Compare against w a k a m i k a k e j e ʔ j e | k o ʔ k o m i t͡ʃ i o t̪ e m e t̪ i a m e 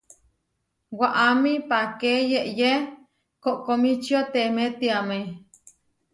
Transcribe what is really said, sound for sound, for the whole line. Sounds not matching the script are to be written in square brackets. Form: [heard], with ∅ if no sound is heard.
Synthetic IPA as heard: w a [ʔ] a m i [p] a k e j e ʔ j e | k o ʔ k o m i t͡ʃ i o t̪ e m e t̪ i a m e